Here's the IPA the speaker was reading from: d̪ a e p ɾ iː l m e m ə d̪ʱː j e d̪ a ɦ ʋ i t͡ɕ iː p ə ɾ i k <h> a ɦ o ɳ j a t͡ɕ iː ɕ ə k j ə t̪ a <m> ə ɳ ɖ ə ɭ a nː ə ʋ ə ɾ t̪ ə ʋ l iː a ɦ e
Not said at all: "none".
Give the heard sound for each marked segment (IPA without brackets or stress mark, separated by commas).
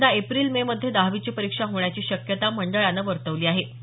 ʂ, m